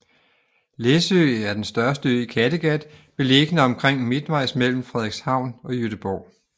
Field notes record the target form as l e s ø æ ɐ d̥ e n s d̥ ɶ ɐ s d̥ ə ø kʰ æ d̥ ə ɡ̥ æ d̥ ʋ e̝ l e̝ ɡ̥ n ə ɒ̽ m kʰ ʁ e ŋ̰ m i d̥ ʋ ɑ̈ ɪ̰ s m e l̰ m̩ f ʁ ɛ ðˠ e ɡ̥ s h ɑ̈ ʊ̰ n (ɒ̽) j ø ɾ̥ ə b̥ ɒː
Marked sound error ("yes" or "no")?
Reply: no